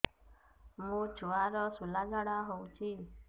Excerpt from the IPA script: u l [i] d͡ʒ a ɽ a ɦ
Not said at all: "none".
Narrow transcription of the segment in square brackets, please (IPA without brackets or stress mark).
a